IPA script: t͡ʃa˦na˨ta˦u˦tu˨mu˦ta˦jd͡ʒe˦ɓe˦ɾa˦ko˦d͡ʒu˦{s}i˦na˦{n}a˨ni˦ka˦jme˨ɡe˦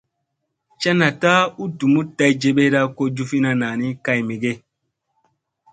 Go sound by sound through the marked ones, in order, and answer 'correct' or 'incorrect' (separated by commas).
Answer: incorrect, correct